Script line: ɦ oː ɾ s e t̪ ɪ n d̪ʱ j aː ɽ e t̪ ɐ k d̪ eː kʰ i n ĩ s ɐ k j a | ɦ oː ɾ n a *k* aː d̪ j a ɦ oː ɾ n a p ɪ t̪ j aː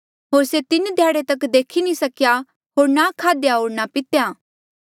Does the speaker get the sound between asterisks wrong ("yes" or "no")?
yes